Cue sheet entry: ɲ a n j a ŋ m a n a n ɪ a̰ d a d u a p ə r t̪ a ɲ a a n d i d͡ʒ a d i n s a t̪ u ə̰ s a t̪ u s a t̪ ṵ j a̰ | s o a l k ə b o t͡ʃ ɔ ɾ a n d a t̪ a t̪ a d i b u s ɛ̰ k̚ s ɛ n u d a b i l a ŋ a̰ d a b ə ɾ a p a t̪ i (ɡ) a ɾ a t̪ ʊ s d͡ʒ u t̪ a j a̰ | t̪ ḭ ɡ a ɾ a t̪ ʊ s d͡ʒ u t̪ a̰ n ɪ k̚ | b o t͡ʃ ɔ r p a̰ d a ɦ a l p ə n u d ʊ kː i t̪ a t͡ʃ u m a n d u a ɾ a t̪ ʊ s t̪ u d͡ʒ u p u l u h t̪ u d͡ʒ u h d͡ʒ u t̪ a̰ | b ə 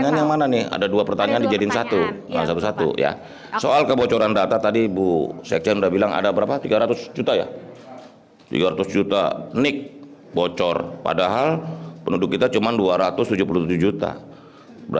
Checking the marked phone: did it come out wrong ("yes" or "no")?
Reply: no